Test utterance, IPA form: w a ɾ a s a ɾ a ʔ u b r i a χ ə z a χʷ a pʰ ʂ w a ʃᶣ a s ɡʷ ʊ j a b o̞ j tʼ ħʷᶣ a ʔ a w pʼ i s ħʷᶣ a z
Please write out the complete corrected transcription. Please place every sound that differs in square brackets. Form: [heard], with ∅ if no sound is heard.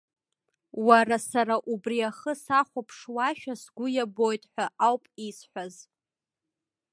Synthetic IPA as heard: w a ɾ a s a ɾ a ʔ u b r i a χ ə [s] a χʷ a pʰ ʂ w a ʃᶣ a s ɡʷ ʊ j a b o̞ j tʼ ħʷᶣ a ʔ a w pʼ i s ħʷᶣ a z